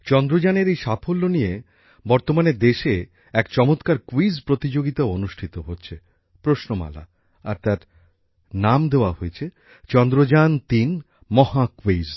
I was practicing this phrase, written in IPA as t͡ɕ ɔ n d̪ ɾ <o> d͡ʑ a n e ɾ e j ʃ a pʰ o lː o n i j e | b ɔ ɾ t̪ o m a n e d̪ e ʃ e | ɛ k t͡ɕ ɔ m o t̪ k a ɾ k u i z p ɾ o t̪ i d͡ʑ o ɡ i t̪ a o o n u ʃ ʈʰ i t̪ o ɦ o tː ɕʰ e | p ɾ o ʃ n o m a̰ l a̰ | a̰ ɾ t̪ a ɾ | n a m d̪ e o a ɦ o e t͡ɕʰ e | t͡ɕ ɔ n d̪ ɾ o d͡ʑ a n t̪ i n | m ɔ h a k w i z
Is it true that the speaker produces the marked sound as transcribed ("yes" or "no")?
yes